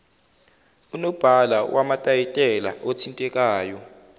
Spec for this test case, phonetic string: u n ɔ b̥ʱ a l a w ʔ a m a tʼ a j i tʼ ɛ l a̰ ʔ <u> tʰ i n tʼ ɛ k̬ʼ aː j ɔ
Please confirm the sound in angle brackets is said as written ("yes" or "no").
no